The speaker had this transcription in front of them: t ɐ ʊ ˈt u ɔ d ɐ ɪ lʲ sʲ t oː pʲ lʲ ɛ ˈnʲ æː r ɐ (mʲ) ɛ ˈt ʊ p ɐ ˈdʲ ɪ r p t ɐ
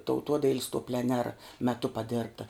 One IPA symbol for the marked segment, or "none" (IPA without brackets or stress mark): mʲ